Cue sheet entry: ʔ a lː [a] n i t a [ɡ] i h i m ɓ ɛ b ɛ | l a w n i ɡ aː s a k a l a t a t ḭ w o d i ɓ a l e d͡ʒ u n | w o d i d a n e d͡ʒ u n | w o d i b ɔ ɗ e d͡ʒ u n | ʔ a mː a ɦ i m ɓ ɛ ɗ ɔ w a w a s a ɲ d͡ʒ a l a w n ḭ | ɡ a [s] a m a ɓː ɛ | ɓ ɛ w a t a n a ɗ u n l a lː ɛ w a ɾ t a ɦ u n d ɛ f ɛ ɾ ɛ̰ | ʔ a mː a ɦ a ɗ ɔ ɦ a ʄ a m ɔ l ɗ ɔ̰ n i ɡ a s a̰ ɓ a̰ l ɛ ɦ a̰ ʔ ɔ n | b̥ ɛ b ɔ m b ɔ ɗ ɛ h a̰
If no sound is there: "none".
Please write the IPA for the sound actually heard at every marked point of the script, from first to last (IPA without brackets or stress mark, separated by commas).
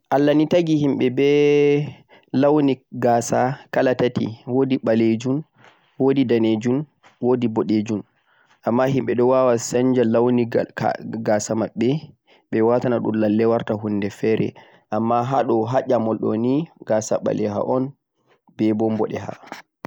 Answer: a, ɡ, s